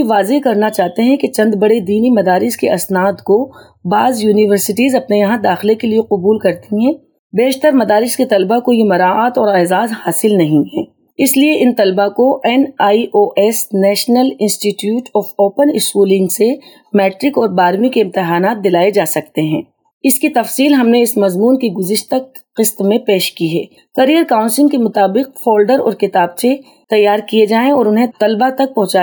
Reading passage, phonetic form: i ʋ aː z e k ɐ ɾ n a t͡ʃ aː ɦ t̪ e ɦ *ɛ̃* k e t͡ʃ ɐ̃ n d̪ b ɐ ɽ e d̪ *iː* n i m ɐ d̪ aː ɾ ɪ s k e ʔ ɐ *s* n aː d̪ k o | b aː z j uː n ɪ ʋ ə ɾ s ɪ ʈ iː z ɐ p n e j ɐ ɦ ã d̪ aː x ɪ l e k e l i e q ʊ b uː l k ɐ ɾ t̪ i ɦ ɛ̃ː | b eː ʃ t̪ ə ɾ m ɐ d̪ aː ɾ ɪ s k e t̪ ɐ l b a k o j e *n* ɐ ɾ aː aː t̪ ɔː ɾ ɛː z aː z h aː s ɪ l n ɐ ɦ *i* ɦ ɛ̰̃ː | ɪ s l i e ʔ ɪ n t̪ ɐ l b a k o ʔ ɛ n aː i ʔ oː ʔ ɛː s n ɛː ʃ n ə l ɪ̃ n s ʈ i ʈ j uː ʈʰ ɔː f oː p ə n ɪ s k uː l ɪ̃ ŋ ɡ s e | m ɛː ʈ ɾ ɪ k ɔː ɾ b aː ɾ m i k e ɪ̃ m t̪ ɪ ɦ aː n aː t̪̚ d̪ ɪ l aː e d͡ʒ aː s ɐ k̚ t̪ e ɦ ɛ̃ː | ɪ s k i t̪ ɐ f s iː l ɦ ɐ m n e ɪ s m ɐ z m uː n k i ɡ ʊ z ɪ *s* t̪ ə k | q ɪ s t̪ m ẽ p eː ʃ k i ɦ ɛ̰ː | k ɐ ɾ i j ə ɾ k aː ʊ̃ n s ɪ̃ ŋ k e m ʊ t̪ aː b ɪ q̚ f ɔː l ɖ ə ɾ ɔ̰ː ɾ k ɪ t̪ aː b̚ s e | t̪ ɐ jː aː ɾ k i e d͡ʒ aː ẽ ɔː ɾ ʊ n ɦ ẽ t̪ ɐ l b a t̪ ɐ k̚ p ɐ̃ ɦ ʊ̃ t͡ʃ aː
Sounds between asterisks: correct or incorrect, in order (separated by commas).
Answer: correct, correct, correct, incorrect, incorrect, incorrect